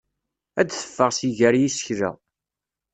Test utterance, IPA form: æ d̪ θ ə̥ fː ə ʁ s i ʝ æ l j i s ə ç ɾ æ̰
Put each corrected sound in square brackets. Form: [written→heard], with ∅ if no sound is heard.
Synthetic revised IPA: æ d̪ θ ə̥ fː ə ʁ s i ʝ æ [l→ɾ] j i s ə ç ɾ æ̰

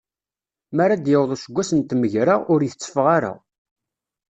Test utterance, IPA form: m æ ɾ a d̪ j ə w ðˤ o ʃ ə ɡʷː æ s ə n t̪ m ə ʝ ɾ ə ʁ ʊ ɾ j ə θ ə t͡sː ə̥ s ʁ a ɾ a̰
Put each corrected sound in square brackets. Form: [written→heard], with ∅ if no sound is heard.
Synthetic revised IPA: m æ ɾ a d̪ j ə w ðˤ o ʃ ə ɡʷː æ s ə n t̪ m ə ʝ ɾ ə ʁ ʊ ɾ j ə θ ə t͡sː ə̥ [s→f] ʁ a ɾ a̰

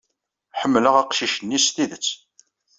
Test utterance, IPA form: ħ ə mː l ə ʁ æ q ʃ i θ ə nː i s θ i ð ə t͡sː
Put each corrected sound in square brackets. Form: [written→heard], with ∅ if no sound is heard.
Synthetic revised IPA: ħ ə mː l ə ʁ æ q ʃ i [θ→ʃ] ə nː i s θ i ð ə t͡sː

